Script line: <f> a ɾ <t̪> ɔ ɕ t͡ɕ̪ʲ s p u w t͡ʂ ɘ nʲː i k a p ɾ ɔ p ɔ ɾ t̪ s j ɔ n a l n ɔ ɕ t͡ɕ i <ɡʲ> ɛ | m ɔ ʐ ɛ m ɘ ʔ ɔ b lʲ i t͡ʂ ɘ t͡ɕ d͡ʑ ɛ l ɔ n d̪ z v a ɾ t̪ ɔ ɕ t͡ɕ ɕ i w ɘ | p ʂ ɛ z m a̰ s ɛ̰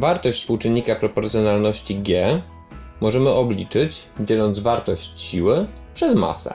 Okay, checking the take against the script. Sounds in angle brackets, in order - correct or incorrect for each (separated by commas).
incorrect, correct, correct